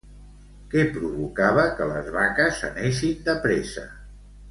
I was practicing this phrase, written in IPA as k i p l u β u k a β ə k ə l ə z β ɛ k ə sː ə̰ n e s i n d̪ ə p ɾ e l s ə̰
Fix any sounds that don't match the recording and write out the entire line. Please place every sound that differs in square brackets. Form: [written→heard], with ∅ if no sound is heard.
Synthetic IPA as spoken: k [i→ɛ] p [l→ɾ] u β u k a β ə k ə l ə z β [ɛ→a] k ə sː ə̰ n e [s→ʃ] i n d̪ ə p ɾ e [l→∅] s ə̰